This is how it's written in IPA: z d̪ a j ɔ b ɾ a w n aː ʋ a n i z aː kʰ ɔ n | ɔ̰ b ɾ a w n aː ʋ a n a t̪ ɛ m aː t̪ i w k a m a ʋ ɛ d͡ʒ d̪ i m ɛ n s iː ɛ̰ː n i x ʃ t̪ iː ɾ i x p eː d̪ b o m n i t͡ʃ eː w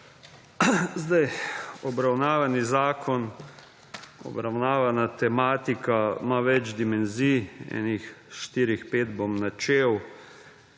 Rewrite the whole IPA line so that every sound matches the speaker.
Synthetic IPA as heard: z d̪ a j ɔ b ɾ a w n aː ʋ a n i z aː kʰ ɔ n | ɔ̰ b ɾ a w n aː ʋ a n a t̪ ɛ m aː t̪ i k a m a ʋ ɛ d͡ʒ d̪ i m ɛ n z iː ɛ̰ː n i x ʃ t̪ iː ɾ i x p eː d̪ b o m n a t͡ʃ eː w